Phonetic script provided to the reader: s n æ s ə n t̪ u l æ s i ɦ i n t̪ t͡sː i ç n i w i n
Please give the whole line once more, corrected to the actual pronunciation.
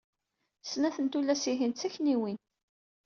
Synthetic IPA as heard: s n æ θ ə n t̪ u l æ s i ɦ i n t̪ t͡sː æ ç n i w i n